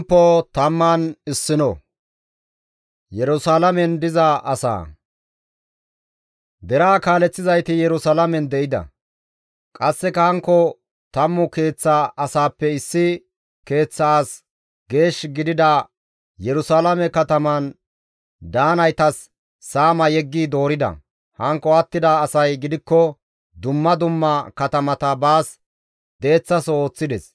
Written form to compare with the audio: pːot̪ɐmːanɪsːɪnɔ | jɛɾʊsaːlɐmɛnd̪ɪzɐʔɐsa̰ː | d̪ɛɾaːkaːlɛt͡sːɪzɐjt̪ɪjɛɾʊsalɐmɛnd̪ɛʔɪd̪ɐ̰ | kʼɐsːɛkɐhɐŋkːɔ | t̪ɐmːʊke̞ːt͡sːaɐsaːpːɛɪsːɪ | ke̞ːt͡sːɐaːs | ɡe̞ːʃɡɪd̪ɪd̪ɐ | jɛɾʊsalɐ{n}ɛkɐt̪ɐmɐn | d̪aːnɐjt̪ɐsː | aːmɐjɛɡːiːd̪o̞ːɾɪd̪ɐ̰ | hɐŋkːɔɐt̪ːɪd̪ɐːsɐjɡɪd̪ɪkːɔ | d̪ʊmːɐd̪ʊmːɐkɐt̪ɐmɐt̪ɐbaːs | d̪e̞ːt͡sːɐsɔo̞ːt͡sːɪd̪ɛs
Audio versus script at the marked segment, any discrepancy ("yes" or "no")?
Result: yes